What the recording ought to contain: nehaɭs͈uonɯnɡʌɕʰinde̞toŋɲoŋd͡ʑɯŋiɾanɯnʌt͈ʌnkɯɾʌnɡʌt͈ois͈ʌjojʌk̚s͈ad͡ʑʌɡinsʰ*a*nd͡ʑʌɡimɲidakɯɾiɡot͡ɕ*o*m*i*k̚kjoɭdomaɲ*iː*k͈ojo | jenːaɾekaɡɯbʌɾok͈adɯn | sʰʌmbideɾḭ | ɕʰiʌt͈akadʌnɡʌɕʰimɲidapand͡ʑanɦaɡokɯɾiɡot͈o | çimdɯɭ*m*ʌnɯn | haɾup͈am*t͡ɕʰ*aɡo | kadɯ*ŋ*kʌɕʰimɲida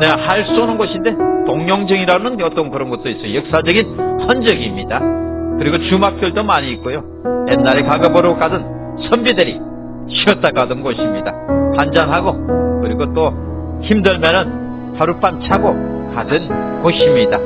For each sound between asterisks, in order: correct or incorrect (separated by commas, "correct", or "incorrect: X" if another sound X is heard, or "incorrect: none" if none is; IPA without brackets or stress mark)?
incorrect: ʌ, incorrect: u, incorrect: a, correct, correct, correct, incorrect: n